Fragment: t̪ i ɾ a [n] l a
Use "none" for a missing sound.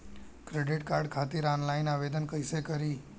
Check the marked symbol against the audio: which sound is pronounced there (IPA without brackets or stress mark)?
n